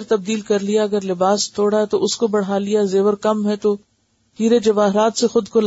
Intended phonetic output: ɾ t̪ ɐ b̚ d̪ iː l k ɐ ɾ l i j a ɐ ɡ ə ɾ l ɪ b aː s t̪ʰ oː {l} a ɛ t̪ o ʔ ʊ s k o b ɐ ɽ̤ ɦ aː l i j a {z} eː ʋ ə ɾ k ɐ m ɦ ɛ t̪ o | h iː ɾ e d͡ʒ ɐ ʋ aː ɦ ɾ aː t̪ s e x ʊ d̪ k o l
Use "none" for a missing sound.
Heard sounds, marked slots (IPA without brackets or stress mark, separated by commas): ɽ, z